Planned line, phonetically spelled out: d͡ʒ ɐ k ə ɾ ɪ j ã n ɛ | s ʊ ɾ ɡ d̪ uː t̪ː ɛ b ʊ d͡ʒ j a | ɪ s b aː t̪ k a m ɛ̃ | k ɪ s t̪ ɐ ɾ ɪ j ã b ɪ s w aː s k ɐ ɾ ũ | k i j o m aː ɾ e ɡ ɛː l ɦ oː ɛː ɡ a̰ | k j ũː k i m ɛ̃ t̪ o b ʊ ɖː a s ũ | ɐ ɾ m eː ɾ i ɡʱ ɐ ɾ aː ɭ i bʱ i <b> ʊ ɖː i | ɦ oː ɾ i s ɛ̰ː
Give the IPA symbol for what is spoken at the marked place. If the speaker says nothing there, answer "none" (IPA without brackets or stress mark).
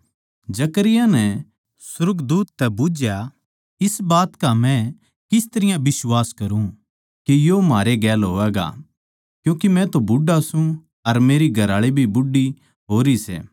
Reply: b